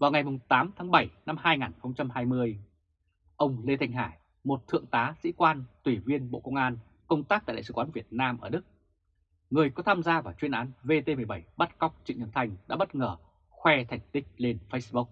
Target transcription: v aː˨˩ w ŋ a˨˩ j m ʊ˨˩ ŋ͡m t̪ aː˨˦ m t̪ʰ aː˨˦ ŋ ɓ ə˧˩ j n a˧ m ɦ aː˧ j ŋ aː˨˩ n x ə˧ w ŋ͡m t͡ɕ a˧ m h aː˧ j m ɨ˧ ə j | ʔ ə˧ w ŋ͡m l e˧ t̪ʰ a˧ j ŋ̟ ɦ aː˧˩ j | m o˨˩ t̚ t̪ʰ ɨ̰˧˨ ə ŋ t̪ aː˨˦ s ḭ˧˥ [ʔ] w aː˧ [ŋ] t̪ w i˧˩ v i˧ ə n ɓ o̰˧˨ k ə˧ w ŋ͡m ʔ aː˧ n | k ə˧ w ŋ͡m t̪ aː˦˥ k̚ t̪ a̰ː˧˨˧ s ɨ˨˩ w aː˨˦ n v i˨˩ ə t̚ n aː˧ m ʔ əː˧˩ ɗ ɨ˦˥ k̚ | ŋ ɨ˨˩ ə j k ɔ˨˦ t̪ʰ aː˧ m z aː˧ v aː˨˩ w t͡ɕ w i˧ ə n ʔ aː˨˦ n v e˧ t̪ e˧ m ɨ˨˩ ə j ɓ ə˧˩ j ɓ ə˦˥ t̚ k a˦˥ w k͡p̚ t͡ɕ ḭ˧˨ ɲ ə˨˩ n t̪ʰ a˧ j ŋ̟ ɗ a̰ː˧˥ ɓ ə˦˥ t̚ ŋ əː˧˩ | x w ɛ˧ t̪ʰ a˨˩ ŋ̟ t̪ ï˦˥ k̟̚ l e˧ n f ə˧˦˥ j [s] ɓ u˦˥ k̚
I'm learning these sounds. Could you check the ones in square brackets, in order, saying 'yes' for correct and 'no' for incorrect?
no, no, yes

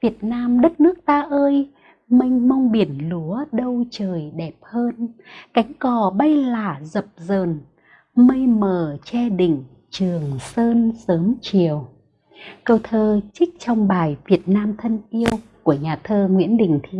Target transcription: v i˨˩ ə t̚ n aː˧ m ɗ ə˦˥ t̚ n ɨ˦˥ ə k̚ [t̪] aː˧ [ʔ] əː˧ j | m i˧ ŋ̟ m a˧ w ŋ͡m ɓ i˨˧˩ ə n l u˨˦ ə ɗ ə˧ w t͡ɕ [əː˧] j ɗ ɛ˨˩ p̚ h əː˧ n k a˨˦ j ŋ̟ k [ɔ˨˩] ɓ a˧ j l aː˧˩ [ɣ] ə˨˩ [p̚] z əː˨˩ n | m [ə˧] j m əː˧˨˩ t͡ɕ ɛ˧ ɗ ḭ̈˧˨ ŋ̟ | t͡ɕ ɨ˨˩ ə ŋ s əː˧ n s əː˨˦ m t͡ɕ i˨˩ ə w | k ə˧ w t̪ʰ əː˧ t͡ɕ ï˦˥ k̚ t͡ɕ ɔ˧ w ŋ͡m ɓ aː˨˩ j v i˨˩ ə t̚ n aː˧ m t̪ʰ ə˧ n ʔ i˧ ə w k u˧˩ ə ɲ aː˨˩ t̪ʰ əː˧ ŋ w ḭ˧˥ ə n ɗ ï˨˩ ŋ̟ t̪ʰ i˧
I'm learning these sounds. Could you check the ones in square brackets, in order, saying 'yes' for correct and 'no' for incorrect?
yes, yes, no, yes, no, yes, yes

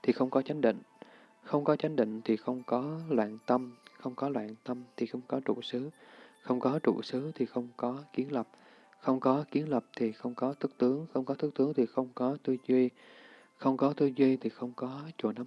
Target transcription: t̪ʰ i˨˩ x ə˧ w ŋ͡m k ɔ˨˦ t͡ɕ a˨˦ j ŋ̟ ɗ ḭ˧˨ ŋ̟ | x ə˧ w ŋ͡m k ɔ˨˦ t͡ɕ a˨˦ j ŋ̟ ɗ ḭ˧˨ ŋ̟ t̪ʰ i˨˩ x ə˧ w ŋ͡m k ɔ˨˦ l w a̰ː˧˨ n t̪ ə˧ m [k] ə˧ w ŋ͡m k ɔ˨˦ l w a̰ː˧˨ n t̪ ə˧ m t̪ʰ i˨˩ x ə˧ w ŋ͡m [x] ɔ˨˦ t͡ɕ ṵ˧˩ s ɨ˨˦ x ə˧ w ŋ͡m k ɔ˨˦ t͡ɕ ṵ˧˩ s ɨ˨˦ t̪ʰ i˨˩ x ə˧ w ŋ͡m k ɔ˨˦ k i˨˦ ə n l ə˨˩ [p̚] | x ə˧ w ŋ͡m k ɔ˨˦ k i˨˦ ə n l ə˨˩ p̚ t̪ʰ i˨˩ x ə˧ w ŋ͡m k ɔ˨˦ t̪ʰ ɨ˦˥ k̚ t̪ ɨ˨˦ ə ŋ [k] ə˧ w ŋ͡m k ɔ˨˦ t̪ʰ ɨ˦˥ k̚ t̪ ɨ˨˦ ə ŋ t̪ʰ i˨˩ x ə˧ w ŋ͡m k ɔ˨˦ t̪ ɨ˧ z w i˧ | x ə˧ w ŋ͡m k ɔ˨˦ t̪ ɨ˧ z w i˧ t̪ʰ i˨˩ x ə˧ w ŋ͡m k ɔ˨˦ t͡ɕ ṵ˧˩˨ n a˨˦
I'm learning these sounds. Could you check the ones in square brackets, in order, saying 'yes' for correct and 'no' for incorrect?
no, no, yes, no

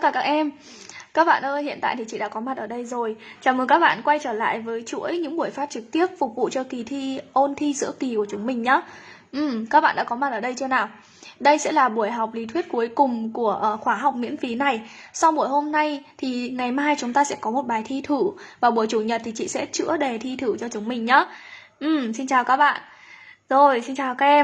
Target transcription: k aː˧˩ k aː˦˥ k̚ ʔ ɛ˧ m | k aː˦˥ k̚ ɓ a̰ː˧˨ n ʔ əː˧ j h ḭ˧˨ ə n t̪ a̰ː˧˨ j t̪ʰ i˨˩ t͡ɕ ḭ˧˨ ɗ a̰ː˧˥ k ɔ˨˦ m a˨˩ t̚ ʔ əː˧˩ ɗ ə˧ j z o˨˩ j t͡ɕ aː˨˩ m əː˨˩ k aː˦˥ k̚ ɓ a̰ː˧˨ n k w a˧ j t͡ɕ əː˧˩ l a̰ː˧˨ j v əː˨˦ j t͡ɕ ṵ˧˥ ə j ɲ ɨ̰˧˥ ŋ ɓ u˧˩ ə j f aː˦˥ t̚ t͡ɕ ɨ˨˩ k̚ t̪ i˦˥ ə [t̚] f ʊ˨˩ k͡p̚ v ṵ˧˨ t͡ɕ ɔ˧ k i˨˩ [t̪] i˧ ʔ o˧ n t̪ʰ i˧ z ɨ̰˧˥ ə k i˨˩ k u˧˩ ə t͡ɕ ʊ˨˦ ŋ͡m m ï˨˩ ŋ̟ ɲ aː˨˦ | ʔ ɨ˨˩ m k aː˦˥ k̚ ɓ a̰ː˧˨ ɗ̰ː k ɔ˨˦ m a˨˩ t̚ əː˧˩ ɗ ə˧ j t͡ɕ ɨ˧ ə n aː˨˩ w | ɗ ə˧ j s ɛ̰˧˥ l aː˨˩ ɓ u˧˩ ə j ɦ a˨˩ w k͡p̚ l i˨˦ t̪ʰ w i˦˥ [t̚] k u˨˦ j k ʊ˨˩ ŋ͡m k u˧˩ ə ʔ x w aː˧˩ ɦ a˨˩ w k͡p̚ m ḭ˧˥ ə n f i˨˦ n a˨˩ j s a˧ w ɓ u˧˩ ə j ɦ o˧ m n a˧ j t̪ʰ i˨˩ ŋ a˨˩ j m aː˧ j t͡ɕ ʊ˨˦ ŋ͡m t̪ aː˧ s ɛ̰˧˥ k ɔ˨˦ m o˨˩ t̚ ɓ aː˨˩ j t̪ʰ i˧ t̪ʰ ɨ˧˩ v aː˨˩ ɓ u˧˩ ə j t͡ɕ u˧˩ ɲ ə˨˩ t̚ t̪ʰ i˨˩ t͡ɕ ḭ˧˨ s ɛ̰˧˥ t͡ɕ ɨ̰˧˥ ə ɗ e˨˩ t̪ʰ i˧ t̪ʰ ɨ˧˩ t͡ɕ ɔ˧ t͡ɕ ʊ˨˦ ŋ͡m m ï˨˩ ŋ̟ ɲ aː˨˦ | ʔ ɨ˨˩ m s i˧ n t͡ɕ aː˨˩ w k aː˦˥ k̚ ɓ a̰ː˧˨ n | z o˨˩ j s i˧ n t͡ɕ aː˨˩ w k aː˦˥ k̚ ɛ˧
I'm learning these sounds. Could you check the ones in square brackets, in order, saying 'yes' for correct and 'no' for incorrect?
no, no, yes

